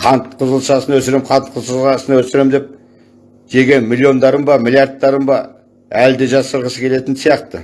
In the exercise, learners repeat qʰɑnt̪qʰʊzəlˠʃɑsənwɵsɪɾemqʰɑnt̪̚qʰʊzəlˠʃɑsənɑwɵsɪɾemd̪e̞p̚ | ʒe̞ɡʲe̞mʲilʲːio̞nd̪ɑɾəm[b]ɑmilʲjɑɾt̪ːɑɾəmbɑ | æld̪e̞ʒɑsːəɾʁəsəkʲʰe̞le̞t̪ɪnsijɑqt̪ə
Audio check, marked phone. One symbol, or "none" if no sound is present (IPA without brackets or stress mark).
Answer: b